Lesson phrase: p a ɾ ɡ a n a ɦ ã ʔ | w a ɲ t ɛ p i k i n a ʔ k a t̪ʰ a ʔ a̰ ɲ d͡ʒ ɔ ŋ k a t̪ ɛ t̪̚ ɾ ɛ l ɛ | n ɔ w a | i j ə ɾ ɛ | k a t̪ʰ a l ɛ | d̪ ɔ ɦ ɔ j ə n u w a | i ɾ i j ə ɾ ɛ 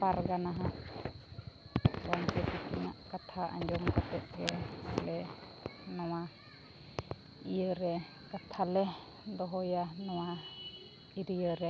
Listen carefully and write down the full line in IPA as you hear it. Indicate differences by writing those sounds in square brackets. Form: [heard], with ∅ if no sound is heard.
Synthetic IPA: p a ɾ ɡ a n a ɦ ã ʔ | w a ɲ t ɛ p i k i n a ʔ k a t̪ʰ a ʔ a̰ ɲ d͡ʒ ɔ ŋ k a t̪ ɛ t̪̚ ɾ ɛ l ɛ | n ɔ w a | i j ə ɾ ɛ | k a t̪ʰ a l ɛ | d̪ ɔ ɦ ɔ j [a] n [ɔ] w a | i ɾ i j ə ɾ ɛ